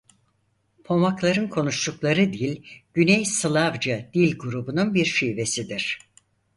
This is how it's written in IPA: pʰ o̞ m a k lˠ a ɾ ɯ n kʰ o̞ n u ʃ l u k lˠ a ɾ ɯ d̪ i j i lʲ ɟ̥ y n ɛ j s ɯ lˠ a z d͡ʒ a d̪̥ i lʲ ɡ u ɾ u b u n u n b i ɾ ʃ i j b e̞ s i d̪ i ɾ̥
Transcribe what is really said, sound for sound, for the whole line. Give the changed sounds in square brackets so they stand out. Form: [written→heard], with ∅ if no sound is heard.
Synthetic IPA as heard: pʰ o̞ m a k lˠ a ɾ ɯ n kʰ o̞ n u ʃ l u k lˠ a ɾ ɯ d̪ i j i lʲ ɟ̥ y n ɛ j s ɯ lˠ a [z→v] d͡ʒ a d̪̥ i lʲ ɡ u ɾ u b u n u n b i ɾ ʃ i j [b→v] e̞ s i d̪ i ɾ̥